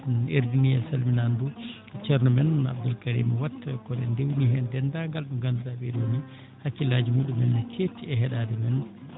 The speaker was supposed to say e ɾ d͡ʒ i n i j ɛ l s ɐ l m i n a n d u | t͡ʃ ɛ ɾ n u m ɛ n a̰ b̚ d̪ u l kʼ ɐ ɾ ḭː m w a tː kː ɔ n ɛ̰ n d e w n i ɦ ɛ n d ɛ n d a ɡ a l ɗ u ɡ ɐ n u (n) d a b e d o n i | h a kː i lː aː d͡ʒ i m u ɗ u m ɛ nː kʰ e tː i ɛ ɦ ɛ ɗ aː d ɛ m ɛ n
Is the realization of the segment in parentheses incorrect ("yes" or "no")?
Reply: yes